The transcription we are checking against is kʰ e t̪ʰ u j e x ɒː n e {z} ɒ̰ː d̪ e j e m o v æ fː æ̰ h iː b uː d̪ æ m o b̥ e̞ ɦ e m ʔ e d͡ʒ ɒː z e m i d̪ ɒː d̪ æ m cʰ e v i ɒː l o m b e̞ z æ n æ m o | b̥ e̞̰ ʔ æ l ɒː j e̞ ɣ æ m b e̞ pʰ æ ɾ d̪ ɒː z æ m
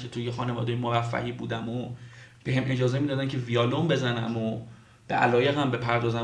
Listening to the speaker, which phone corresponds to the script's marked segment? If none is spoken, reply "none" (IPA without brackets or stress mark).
v